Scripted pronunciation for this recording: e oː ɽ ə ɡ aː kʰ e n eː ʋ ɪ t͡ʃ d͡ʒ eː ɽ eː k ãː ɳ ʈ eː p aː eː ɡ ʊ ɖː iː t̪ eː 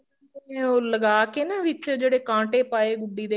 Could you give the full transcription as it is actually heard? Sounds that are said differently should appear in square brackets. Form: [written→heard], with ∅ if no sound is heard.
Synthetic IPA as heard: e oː [ɽ→l] ə ɡ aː [kʰ→k] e n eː ʋ ɪ t͡ʃ d͡ʒ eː ɽ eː k ãː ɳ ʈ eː p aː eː ɡ ʊ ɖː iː [t̪→d̪] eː